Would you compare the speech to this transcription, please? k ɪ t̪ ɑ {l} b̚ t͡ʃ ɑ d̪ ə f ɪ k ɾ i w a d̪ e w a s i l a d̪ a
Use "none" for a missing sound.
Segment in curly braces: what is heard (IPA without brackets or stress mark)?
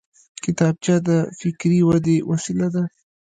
none